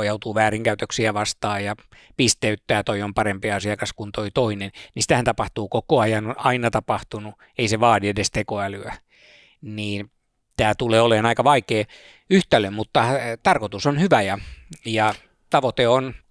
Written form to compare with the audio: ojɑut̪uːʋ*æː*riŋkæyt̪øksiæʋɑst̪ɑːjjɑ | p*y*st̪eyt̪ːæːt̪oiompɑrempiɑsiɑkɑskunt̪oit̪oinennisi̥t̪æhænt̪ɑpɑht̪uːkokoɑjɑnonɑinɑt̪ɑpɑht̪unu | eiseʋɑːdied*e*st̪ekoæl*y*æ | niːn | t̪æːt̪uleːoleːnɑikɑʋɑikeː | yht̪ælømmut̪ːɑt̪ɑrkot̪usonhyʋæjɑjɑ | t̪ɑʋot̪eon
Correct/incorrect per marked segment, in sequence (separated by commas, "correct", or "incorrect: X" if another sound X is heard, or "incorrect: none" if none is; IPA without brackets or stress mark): correct, incorrect: i, correct, correct